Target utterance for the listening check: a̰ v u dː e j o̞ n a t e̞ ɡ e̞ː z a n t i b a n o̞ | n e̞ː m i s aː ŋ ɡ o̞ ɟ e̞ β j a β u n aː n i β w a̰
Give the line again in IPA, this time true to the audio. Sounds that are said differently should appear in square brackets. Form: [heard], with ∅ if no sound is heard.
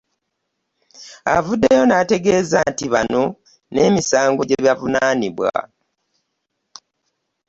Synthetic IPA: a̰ v u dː e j o̞ n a t e̞ ɡ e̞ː z a n t i [β] a n o̞ | n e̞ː m i s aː ŋ ɡ o̞ ɟ e̞ β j a [v] u n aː n i β w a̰